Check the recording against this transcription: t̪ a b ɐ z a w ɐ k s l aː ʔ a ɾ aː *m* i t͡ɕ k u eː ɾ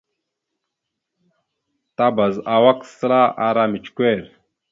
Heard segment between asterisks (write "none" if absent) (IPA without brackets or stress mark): m